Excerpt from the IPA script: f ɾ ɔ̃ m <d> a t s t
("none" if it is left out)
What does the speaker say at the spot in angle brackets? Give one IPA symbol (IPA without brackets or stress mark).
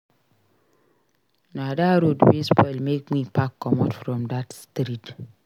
d